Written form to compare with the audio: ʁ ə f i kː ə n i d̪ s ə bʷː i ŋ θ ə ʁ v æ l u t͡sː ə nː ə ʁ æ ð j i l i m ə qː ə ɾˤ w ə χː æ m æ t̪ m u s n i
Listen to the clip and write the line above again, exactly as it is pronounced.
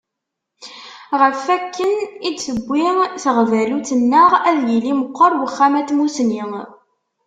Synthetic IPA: ʁ ə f æ kː ə n i d̪ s ə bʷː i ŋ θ ə ʁ v æ l u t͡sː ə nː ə ʁ æ ð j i l i m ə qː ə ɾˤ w ə χː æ m æ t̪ m u s n i